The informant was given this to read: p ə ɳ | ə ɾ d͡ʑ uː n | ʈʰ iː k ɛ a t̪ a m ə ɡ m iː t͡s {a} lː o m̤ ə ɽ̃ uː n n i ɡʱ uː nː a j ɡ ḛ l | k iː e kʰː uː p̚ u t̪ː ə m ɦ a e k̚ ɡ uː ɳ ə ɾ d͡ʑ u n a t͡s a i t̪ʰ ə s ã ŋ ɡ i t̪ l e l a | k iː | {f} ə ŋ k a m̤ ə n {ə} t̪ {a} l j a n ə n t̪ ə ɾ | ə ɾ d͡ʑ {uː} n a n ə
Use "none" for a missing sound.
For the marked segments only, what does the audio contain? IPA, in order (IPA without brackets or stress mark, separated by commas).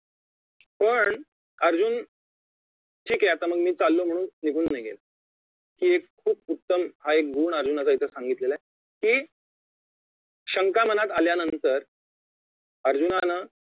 a, ɕ, a, a, u